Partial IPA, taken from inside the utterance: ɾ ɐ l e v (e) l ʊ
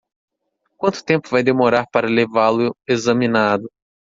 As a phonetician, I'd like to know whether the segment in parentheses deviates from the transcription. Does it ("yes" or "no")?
yes